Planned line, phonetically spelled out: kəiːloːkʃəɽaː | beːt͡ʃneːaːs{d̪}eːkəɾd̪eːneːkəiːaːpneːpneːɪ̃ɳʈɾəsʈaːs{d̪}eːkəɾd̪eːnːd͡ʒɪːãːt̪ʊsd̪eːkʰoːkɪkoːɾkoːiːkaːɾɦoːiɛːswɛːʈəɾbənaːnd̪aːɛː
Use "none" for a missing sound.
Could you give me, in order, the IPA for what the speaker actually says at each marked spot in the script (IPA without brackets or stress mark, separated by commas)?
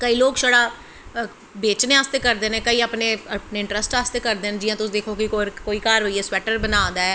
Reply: t̪, t̪